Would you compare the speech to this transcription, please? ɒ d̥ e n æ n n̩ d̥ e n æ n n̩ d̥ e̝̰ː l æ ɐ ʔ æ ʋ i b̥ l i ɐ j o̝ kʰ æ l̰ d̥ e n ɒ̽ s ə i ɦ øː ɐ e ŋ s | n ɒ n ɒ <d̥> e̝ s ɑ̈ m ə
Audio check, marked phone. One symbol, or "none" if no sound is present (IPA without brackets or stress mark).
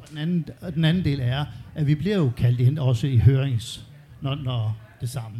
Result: d̥